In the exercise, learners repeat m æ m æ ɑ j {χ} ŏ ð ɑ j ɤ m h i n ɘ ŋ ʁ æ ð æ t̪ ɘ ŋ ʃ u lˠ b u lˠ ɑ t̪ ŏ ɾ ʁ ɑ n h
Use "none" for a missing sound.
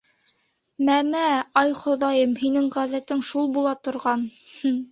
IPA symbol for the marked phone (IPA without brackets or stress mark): χ